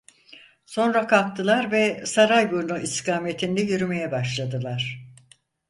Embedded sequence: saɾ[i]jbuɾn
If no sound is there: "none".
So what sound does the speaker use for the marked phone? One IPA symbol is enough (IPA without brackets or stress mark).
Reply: a